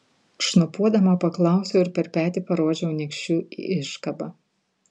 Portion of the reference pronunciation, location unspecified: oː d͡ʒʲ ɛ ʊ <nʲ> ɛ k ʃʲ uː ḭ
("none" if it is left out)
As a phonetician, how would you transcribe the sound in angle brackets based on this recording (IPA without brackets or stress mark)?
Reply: nʲ